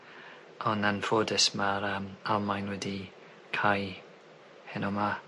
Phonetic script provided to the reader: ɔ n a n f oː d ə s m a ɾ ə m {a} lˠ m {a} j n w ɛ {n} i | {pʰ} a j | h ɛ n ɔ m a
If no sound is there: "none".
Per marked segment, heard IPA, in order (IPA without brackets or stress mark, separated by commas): a, a, d, kʰ